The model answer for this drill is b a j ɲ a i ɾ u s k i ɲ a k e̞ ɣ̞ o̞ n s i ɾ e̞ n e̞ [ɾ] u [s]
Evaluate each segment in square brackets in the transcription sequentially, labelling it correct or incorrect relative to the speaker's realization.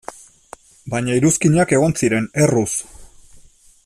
incorrect, correct

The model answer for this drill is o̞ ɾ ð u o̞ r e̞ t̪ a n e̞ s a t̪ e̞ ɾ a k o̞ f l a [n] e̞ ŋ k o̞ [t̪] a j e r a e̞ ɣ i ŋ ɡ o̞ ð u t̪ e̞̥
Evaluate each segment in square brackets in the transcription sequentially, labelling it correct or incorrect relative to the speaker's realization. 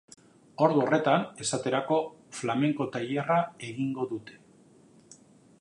incorrect, correct

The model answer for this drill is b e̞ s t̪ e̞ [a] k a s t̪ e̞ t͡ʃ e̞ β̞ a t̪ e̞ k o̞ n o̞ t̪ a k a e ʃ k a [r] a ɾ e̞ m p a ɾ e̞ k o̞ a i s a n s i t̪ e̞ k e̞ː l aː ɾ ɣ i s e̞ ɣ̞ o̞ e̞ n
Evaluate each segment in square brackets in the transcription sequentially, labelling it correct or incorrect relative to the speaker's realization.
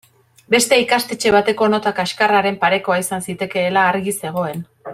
incorrect, correct

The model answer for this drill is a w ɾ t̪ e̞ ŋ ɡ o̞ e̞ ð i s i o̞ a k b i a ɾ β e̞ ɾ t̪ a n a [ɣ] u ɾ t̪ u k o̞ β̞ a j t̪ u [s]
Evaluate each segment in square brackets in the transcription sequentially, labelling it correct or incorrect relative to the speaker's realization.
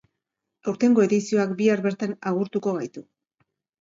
correct, incorrect

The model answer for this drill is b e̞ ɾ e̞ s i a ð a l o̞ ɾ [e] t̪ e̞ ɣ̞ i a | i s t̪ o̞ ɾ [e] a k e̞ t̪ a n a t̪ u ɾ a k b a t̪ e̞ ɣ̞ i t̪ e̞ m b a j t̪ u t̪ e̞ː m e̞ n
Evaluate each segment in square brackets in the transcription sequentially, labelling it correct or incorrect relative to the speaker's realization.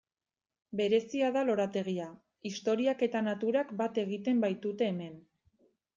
incorrect, incorrect

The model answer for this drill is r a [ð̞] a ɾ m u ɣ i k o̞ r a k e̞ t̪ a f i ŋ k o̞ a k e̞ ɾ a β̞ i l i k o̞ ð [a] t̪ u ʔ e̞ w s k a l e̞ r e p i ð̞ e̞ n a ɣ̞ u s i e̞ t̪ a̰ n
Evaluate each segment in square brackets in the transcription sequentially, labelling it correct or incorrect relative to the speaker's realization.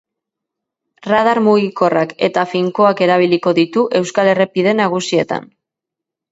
correct, incorrect

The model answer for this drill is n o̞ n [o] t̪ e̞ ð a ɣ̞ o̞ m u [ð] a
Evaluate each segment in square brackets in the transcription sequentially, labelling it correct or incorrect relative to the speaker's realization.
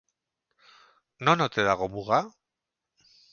correct, incorrect

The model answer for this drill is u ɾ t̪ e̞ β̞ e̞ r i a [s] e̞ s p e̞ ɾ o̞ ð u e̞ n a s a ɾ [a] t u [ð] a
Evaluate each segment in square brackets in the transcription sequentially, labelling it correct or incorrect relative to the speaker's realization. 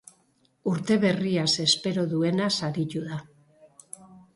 correct, incorrect, correct

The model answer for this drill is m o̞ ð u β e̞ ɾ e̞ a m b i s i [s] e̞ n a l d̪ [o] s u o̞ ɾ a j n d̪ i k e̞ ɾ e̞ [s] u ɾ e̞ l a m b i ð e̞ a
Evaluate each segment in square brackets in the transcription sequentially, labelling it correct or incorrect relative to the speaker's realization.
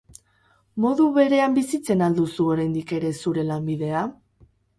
incorrect, incorrect, correct

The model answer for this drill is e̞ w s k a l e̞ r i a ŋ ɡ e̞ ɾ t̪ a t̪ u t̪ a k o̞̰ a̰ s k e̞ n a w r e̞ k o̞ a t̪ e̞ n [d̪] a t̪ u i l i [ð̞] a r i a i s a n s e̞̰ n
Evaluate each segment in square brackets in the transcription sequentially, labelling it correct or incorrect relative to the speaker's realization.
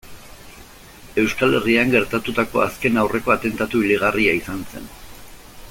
incorrect, incorrect

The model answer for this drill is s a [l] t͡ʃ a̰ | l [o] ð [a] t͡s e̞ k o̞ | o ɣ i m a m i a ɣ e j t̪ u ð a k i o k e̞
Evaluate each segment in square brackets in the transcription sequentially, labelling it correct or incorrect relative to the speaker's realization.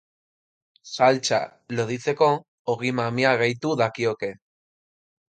correct, correct, incorrect

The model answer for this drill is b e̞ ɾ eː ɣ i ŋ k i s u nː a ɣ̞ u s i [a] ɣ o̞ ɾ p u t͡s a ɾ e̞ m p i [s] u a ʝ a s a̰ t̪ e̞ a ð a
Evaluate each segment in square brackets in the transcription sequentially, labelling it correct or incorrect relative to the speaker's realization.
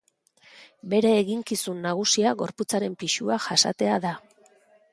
correct, incorrect

